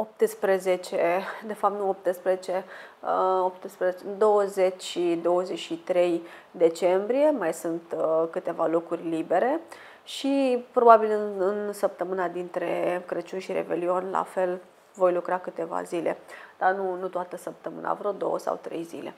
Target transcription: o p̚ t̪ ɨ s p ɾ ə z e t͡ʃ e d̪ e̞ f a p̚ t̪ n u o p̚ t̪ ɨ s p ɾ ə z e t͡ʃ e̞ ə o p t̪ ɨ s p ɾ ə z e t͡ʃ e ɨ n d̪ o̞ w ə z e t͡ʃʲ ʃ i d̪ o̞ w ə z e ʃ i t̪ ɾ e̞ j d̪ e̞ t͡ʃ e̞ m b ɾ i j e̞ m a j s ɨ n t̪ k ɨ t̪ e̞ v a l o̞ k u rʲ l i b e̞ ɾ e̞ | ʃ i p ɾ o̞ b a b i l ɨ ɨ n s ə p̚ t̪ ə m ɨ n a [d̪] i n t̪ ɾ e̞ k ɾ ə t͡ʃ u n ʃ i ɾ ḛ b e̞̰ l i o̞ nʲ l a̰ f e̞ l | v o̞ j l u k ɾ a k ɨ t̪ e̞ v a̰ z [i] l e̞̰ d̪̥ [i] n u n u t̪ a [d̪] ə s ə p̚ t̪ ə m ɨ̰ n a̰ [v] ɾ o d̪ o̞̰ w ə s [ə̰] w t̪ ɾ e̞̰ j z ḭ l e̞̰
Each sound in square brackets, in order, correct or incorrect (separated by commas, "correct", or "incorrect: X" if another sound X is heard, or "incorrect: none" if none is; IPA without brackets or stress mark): correct, correct, incorrect: a, incorrect: t̪, correct, incorrect: a̰